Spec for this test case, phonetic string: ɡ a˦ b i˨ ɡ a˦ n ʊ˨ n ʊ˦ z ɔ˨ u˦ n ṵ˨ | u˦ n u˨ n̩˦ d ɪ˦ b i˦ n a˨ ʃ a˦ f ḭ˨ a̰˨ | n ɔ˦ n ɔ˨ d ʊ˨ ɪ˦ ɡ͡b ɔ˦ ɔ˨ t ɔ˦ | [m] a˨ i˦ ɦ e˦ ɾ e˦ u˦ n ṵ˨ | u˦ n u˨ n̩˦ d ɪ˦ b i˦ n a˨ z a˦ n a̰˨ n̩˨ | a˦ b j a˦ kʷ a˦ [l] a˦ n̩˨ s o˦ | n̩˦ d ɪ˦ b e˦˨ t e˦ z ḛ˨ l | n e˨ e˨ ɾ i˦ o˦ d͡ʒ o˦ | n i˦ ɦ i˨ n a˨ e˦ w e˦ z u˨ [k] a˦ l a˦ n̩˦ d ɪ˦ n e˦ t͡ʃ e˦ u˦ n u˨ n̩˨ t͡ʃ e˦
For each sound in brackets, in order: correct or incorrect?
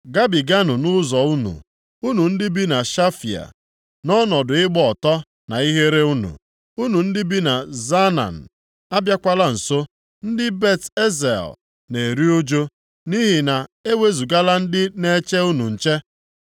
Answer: incorrect: n, correct, incorrect: ɡ

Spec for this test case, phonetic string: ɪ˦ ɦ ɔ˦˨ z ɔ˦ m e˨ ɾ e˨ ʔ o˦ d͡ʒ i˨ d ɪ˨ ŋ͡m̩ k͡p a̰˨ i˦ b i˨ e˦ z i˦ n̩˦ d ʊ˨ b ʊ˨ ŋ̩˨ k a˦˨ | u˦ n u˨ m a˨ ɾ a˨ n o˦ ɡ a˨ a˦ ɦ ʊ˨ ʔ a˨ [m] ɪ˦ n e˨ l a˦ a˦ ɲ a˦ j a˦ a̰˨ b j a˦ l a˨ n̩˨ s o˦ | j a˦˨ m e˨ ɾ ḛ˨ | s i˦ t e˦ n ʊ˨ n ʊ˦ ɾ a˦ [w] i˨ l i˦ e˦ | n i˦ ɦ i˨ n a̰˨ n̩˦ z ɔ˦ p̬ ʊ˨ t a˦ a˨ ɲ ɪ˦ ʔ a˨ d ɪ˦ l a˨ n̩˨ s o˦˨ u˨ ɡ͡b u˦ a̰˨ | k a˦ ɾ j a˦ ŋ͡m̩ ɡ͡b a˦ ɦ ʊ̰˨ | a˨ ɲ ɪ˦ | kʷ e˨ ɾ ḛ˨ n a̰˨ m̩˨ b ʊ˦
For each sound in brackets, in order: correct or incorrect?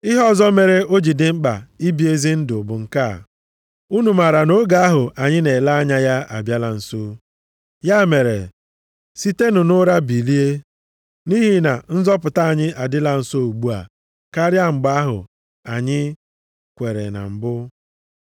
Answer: incorrect: ɲ, incorrect: b

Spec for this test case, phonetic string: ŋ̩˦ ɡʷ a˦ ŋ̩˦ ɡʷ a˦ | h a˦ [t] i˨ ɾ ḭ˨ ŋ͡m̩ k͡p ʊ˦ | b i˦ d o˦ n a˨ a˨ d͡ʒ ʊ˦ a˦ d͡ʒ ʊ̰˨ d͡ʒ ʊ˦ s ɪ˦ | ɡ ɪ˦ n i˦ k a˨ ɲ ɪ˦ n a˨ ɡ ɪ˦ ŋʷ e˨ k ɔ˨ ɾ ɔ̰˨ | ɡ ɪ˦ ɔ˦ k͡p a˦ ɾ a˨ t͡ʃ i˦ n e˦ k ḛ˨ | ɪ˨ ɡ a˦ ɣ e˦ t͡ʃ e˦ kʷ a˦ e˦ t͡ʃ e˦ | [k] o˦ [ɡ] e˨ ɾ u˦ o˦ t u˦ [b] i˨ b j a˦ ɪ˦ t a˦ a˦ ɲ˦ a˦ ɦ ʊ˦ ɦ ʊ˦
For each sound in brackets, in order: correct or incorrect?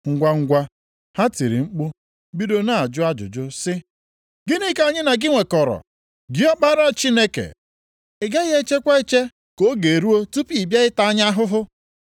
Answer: correct, correct, correct, incorrect: p

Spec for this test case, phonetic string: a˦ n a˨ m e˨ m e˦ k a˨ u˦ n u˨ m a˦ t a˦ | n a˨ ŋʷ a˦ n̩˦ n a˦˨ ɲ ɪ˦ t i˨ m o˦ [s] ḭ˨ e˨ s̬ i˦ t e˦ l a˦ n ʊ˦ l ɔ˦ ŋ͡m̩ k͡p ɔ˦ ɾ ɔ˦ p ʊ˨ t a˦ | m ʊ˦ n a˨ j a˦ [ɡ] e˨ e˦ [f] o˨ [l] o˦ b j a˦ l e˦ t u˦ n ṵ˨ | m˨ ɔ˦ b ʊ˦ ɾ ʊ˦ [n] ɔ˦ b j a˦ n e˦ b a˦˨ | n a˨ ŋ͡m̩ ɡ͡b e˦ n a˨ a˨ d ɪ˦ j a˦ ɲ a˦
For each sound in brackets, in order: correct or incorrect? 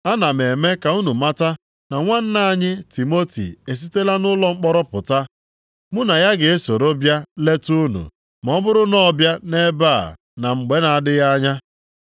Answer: incorrect: t, correct, incorrect: s, incorrect: ɾ, correct

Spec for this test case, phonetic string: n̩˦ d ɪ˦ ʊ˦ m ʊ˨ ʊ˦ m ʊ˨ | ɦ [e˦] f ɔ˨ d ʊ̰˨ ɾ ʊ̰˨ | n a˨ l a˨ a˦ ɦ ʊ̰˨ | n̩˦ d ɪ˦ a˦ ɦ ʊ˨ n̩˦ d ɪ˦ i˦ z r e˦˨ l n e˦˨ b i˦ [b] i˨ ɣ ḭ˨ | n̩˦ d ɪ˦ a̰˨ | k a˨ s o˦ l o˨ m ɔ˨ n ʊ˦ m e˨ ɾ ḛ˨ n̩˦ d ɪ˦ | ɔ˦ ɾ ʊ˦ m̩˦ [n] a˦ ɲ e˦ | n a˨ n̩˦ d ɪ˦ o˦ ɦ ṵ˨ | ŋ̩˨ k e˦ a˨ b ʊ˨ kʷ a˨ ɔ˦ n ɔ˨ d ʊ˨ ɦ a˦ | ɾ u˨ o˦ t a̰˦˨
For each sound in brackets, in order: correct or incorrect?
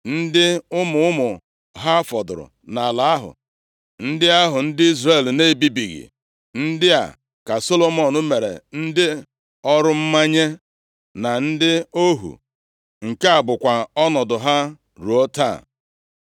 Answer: incorrect: a˦, correct, incorrect: m

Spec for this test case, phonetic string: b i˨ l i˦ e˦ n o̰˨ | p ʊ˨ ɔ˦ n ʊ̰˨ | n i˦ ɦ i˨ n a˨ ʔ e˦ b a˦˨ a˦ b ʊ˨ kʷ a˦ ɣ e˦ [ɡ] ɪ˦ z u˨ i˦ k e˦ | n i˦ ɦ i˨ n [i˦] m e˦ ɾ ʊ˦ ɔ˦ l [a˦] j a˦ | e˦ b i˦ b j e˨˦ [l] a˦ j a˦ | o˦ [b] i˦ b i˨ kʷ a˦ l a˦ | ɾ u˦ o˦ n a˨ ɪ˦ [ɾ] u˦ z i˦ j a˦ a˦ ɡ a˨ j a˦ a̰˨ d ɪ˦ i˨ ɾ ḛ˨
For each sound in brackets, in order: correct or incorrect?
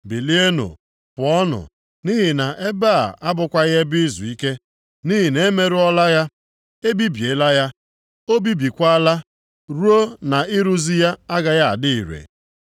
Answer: incorrect: b, incorrect: e˦, correct, correct, correct, correct

